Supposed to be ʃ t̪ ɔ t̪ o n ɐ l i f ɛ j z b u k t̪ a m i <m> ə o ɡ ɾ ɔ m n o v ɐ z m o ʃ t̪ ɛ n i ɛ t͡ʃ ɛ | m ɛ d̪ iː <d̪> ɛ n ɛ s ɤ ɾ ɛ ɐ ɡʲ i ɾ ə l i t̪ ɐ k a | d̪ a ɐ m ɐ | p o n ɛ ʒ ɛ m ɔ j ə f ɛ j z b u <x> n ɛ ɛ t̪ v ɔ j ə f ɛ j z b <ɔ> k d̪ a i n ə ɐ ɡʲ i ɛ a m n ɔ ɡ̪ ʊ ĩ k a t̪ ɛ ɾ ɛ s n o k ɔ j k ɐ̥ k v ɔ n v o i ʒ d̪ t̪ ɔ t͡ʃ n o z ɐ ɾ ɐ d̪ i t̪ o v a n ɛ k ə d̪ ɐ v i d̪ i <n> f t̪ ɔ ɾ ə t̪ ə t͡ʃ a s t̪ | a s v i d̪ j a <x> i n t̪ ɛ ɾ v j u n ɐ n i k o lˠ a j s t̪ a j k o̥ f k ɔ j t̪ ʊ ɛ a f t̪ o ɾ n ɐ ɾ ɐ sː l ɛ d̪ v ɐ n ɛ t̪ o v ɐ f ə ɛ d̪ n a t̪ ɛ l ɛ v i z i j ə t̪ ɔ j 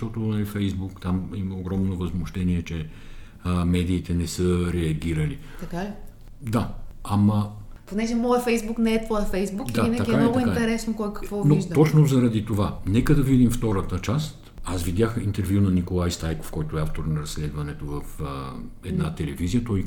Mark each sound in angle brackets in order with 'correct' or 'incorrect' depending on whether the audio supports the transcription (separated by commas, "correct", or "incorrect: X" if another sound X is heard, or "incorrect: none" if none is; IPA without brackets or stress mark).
correct, incorrect: t̪, incorrect: k, incorrect: u, incorrect: m, correct